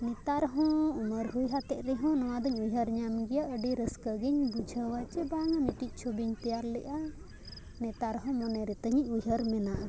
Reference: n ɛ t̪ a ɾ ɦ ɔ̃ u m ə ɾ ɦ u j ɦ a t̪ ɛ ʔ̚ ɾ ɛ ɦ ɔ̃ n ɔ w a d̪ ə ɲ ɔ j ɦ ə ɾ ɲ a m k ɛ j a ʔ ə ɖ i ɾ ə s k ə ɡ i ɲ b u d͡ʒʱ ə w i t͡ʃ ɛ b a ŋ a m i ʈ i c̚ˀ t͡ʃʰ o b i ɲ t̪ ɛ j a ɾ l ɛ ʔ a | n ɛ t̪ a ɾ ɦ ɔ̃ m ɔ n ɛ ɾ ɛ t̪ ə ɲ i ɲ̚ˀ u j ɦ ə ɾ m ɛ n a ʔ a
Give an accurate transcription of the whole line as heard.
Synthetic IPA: n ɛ t̪ a ɾ ɦ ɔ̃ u m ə ɾ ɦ u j ɦ a t̪ ɛ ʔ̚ ɾ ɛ ɦ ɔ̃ n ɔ w a d̪ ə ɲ u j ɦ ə ɾ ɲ a m ɡ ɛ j a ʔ ə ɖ i ɾ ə s k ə ɡ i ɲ b u d͡ʒʱ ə w a t͡ʃ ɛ b a ŋ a m i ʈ i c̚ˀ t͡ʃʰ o b i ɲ t̪ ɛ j a ɾ l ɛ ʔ a | n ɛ t̪ a ɾ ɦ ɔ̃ m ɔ n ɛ ɾ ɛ t̪ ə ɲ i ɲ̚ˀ u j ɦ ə ɾ m ɛ n a ʔ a